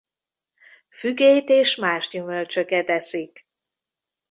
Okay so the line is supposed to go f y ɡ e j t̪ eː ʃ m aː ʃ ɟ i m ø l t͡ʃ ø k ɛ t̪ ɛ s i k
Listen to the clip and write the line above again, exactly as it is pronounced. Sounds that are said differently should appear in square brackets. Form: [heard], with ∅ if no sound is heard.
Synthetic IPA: f y ɡ e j t̪ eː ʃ m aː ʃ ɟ [y] m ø l t͡ʃ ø k ɛ t̪ ɛ s i k